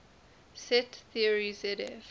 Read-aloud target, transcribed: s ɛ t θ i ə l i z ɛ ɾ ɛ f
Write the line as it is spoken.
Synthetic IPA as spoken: s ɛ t θ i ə ɹ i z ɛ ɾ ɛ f